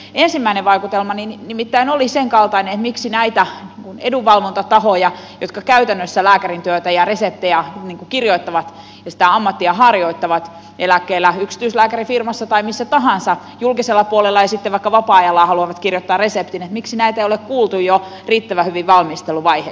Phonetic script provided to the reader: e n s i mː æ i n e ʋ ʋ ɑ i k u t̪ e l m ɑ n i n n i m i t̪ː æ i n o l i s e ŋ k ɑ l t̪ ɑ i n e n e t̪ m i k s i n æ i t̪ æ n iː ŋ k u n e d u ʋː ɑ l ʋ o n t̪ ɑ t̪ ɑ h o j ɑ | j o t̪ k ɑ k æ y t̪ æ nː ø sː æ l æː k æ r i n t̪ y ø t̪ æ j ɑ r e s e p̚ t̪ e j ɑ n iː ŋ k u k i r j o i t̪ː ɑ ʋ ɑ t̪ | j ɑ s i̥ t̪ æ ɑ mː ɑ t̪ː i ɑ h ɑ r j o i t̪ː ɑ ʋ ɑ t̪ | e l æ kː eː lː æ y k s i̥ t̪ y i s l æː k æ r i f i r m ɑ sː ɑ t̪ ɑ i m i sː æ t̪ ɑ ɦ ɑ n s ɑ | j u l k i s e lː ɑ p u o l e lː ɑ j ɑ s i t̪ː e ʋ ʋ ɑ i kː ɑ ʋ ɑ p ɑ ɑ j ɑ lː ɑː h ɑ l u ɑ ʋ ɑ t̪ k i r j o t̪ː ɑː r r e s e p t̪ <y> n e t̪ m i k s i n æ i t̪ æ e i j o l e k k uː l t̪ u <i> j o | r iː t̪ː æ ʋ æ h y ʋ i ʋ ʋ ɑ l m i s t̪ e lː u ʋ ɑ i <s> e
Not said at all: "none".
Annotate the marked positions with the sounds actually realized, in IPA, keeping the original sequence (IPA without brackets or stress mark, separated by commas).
i, j, h